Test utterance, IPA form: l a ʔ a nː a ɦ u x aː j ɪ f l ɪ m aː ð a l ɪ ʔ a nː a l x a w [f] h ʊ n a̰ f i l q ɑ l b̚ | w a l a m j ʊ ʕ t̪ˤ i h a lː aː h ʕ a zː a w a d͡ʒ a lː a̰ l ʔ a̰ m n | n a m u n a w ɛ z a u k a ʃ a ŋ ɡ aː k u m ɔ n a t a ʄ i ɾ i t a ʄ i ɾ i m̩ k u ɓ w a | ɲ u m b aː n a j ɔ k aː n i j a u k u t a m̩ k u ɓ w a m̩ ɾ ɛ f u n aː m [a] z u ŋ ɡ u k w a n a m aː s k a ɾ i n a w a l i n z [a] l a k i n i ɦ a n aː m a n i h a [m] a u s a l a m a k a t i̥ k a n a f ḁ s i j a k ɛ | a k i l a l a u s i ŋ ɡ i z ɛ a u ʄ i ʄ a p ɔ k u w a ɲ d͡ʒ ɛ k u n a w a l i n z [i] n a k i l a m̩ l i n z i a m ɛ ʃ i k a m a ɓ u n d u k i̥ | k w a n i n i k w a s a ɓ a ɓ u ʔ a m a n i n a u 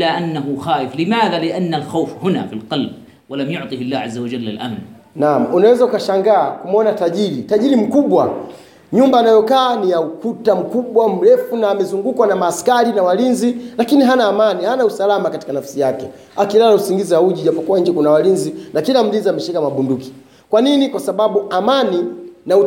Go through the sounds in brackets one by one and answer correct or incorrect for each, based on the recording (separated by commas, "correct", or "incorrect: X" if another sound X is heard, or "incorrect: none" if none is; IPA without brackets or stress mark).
correct, incorrect: ɛ, incorrect: i, incorrect: n, correct